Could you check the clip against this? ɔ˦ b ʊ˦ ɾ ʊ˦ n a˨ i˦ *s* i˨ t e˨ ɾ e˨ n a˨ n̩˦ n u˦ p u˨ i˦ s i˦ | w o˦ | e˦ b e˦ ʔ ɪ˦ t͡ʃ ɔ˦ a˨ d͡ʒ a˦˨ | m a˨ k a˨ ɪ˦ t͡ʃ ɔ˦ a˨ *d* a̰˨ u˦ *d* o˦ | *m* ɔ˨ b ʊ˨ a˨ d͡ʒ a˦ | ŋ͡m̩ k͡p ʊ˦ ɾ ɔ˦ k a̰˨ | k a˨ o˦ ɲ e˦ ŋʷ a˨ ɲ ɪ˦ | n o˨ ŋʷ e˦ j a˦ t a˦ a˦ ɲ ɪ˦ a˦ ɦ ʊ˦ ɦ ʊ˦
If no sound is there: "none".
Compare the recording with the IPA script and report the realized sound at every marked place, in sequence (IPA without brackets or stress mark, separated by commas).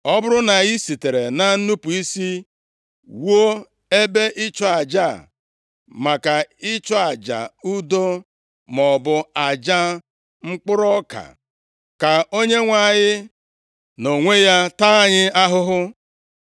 s, d͡ʒ, d, m